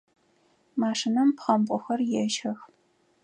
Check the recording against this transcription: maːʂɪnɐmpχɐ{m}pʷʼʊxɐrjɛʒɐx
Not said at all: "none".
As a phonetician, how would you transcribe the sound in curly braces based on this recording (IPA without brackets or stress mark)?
m